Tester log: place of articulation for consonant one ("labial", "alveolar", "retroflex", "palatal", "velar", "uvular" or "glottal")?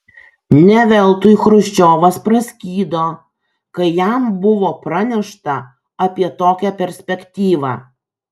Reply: alveolar